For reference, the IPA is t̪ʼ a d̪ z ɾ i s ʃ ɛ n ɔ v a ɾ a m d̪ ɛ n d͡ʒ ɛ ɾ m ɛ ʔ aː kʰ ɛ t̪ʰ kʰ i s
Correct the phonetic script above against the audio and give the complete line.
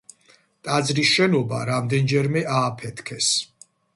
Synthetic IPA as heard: t̪ʼ a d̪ z ɾ i s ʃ ɛ n ɔ b a ɾ a m d̪ ɛ n d͡ʒ ɛ ɾ m ɛ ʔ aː pʰ ɛ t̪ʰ kʰ ɛ s